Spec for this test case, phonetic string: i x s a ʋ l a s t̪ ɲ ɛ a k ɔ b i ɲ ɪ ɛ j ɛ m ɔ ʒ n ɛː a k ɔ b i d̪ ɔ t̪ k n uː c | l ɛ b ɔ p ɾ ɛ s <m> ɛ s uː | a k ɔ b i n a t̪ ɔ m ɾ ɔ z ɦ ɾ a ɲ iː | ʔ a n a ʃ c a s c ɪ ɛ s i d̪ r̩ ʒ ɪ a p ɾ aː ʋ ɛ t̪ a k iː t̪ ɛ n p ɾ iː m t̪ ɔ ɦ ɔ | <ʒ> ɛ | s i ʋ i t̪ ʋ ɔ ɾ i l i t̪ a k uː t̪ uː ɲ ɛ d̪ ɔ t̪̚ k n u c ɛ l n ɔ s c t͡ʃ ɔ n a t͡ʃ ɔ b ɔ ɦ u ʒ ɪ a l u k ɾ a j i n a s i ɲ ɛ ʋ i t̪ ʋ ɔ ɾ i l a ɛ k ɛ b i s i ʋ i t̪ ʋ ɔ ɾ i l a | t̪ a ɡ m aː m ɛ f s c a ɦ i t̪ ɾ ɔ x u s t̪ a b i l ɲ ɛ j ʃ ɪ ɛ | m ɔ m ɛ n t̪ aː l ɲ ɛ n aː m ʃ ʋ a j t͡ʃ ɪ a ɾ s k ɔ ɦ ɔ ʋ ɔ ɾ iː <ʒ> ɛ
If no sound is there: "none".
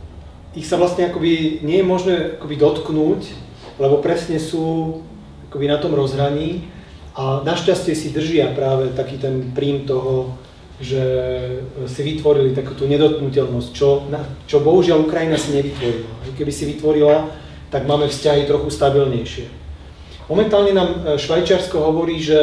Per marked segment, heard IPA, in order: ɲ, ʒ, ʒ

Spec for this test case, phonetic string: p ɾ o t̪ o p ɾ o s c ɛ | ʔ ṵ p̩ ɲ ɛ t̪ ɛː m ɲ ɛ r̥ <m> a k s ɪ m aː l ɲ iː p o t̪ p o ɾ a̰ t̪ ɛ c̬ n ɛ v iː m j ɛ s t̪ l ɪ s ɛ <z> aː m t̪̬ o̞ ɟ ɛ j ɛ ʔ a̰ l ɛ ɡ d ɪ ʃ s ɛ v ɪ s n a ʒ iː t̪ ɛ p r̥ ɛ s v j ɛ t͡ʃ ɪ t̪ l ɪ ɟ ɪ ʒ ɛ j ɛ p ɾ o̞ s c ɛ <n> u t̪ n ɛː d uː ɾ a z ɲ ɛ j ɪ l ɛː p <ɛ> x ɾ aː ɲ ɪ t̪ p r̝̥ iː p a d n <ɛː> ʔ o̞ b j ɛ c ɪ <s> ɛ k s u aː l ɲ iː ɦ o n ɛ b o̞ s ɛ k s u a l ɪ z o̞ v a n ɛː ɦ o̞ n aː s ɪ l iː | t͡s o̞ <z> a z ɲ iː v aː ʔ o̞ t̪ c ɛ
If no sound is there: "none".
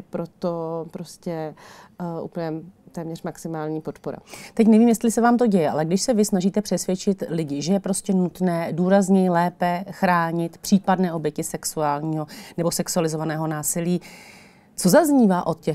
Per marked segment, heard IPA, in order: m, v, n, ɛ, ɛː, s, z

